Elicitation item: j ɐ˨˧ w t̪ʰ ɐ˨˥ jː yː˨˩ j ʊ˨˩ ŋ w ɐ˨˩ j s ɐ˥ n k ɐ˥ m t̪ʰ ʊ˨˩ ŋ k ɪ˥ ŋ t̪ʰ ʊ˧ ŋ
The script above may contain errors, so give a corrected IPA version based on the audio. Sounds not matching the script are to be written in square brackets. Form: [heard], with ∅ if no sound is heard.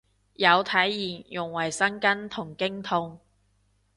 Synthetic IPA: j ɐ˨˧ w t̪ʰ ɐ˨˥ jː [iː˨˩] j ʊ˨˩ ŋ w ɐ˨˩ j s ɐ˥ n k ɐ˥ [n] t̪ʰ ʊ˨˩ ŋ k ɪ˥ ŋ t̪ʰ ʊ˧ ŋ